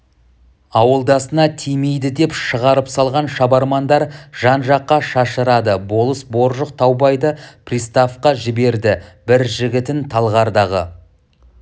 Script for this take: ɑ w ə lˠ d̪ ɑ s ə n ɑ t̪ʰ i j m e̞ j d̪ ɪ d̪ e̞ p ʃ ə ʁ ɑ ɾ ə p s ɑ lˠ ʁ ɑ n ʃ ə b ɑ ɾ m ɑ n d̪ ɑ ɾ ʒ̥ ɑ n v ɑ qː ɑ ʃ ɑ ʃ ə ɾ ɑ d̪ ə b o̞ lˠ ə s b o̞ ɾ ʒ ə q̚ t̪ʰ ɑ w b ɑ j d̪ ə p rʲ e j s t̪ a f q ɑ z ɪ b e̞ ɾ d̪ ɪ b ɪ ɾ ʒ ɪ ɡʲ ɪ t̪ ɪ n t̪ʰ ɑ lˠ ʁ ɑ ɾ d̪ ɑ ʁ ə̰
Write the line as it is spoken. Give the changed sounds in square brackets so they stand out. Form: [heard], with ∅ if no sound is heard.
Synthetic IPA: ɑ w ə lˠ d̪ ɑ s ə n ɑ t̪ʰ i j m e̞ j d̪ ɪ d̪ e̞ p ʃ ə ʁ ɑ ɾ ə p s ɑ lˠ ʁ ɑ n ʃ [ɑ] b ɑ ɾ m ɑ n d̪ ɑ ɾ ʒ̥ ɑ n [ʒ] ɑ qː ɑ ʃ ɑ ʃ ə ɾ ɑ d̪ ə b o̞ lˠ ə s b o̞ ɾ ʒ ə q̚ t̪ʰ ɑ w b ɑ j d̪ ə p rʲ [i] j s t̪ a f q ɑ [ʒ] ɪ b e̞ ɾ d̪ ɪ b ɪ ɾ ʒ ɪ ɡʲ ɪ t̪ ɪ n t̪ʰ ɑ lˠ ʁ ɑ ɾ d̪ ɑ ʁ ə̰